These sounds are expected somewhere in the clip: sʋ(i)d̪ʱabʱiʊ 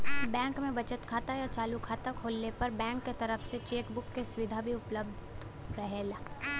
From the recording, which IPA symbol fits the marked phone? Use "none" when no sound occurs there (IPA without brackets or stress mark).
ɪ